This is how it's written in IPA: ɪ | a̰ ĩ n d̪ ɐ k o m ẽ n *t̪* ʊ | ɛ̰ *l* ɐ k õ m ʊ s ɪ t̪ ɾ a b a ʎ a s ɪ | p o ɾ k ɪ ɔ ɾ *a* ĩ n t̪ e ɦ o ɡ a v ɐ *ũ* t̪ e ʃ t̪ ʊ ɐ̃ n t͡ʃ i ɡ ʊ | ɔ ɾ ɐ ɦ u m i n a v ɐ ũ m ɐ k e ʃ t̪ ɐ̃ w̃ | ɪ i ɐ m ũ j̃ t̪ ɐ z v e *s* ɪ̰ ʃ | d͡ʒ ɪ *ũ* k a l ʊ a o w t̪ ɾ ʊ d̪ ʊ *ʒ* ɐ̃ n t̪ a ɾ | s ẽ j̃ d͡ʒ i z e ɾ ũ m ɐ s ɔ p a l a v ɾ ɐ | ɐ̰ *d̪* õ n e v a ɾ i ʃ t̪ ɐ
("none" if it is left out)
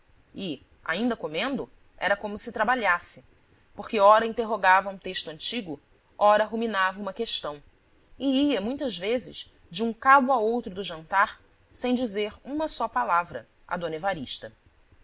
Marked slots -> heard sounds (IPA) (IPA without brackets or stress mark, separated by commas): d̪, ɾ, ɐ, ũ, z, ũ, ʒ, d̪